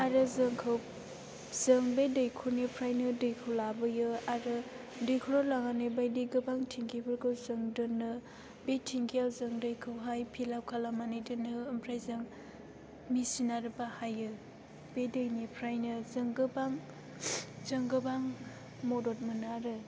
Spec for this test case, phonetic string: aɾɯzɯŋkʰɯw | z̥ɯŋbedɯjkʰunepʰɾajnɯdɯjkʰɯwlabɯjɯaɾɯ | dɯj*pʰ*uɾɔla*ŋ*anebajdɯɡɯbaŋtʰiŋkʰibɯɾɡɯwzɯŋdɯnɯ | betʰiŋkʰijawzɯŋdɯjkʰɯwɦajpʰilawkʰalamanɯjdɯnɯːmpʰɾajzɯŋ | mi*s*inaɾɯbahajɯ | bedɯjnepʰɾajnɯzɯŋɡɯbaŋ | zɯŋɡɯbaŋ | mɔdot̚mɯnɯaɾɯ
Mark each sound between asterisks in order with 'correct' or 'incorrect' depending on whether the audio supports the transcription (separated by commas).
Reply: incorrect, correct, correct